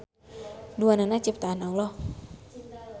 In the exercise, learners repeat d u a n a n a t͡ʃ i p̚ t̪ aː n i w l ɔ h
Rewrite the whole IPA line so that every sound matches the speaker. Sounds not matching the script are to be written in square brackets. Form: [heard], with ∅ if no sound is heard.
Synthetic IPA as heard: d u a n a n a t͡ʃ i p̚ t̪ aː n [a] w l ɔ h

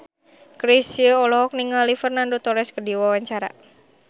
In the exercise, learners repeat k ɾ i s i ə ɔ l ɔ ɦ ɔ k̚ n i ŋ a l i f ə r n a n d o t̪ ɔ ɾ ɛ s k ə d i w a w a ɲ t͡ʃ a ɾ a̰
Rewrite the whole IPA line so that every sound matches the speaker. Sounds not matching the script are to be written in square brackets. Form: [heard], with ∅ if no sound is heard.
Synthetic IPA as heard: k ɾ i s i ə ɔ l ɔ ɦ ɔ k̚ n i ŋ a l i f ə r n a n d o t̪ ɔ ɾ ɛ s k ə d i w a w a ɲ t͡ʃ a ɾ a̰

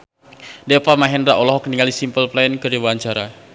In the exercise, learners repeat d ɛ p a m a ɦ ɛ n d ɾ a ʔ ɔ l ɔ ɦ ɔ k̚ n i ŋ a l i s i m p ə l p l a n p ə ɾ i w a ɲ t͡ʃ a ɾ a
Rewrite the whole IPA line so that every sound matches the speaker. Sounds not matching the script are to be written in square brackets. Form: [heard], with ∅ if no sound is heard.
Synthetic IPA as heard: d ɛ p a m a ɦ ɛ n d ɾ a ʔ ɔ l ɔ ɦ ɔ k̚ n i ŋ a l i s i m p ə l p l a n [k] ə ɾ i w a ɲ t͡ʃ a ɾ a

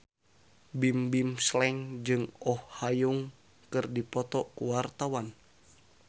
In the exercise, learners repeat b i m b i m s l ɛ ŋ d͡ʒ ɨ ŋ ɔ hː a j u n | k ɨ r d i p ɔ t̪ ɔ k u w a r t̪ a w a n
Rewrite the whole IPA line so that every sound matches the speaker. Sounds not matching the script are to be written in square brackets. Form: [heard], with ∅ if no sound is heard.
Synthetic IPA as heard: b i m b i m s l ɛ ŋ d͡ʒ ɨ ŋ ɔ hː a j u [ŋ] | k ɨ r d i p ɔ t̪ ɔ k u w a r t̪ a w a n

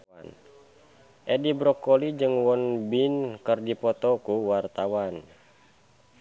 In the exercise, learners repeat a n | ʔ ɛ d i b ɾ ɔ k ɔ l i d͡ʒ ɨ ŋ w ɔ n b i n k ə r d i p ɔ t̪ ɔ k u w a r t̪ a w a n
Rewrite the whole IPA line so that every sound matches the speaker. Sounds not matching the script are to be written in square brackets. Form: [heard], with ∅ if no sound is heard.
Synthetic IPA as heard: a n | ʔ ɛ d i b ɾ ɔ k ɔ l i d͡ʒ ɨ ŋ w ɔ n b i n k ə r d i p ɔ t̪ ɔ k u w a r t̪ a w a n

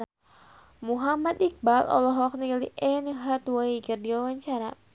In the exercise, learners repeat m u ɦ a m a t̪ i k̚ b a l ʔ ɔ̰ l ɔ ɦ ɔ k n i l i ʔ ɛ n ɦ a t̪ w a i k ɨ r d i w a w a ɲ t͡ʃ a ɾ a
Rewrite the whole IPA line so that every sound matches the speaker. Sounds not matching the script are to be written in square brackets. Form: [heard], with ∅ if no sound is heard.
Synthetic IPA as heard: m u ɦ a m a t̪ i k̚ b a l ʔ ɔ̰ l ɔ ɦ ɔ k n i l i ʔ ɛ n ɦ a t̪ w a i k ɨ r d i w a w a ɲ t͡ʃ a ɾ a

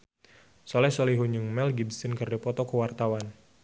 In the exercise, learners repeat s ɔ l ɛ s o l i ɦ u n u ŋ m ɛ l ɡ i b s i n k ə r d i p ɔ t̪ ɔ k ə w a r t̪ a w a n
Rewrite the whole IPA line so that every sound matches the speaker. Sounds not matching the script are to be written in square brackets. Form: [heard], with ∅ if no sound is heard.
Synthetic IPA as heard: s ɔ l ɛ s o l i ɦ u [ɲ] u ŋ m ɛ l ɡ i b s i n k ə r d i p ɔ t̪ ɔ k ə w a r t̪ a w a n

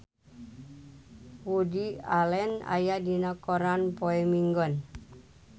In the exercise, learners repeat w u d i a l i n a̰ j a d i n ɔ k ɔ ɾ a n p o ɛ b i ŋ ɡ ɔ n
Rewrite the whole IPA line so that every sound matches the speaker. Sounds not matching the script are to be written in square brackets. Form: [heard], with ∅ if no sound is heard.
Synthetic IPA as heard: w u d i a l [ɛ] n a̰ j a d i n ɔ k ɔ ɾ a n p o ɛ [m] i ŋ ɡ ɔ n

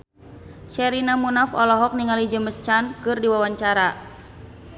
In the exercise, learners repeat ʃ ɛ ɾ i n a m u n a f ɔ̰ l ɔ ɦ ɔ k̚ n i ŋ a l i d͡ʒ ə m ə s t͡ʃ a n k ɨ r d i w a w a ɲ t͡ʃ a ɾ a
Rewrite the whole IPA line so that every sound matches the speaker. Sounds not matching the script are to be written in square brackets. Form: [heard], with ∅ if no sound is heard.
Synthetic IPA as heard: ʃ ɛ ɾ i n a m u n a f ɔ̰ l ɔ ɦ ɔ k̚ n i ŋ a l i d͡ʒ ə m ə s t͡ʃ a n k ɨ r d i w a w a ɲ t͡ʃ a ɾ a

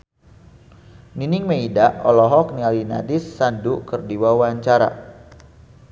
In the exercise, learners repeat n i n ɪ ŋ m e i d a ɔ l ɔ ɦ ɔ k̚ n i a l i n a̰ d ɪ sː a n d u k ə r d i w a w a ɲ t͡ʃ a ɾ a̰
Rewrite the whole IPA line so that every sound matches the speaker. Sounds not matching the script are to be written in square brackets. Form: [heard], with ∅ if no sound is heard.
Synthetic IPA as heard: n i n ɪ ŋ m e i d a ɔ l ɔ ɦ ɔ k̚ n i a l i n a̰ d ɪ sː a n d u k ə r d i w a w a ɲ t͡ʃ a ɾ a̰

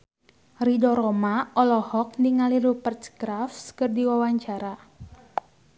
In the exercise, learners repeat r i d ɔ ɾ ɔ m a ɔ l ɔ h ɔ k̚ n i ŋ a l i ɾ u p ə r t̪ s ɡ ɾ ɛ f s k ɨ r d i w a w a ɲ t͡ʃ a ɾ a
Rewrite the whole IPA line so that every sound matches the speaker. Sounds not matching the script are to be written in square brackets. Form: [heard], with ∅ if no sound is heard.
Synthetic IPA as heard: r i d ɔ ɾ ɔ m a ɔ l ɔ h ɔ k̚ n i ŋ a l i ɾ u p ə r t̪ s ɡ ɾ [a] f s k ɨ r d i w a w a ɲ t͡ʃ a ɾ a

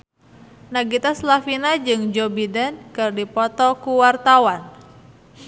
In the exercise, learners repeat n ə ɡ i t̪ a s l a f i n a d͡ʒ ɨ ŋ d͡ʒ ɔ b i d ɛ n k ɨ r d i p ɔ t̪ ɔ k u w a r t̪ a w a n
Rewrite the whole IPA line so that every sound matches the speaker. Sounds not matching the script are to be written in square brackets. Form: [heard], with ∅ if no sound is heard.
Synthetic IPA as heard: n [a] ɡ i t̪ a s l a f i n a d͡ʒ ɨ ŋ d͡ʒ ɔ b i d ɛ n k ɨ r d i p ɔ t̪ ɔ k u w a r t̪ a w a n

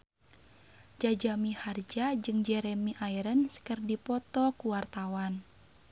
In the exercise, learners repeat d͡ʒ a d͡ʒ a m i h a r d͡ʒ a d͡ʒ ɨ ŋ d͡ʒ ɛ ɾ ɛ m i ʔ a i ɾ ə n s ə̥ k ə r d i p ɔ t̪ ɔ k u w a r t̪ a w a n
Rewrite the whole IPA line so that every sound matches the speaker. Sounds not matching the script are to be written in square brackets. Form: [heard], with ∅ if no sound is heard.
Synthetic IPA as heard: d͡ʒ a d͡ʒ a m i h a r d͡ʒ a d͡ʒ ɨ ŋ d͡ʒ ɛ ɾ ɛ m i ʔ a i ɾ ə n s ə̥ k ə r d i p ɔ t̪ ɔ k u w a r t̪ a w a n

